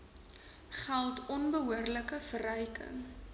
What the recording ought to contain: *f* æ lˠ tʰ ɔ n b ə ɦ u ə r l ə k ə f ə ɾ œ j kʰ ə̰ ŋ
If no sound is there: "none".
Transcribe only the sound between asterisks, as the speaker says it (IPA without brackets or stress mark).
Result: χ